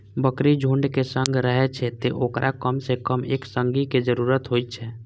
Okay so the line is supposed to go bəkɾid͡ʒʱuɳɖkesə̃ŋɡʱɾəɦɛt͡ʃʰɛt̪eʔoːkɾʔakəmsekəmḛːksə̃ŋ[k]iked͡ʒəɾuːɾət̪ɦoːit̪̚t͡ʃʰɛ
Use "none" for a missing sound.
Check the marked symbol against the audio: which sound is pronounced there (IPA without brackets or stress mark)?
ɡ